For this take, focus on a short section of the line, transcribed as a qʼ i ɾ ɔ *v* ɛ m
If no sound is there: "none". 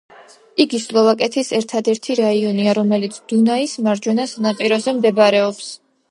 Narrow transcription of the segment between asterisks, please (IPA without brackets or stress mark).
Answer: z